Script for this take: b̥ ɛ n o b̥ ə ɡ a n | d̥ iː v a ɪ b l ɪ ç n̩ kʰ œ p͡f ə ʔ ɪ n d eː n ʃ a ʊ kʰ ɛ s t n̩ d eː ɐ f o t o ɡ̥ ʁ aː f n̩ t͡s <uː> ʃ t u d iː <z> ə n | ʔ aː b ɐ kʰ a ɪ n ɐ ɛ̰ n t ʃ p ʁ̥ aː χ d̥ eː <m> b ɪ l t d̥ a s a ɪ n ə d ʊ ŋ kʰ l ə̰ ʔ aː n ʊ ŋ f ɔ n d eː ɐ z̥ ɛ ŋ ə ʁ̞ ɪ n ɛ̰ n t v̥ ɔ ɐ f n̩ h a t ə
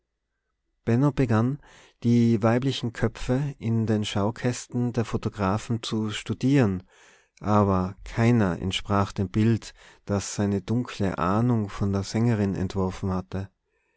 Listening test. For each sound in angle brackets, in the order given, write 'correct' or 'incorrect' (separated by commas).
incorrect, incorrect, correct